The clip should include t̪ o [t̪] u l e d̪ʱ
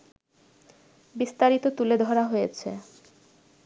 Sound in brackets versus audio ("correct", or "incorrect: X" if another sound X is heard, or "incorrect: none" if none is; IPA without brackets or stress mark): correct